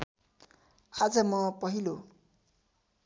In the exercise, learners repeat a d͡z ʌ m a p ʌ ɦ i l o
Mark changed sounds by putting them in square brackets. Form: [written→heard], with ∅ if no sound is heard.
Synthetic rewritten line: a d͡z ʌ m [a→ʌ] p ʌ ɦ i l o